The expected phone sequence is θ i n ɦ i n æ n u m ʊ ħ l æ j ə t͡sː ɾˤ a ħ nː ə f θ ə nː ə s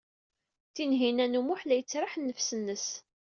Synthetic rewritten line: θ i n ɦ i n æ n u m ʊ ħ l æ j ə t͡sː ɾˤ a ħ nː ə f s ə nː ə s

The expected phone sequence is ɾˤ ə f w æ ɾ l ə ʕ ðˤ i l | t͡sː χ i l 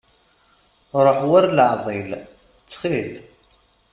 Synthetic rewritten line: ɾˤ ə ħ w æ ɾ l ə ʕ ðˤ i l | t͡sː χ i l

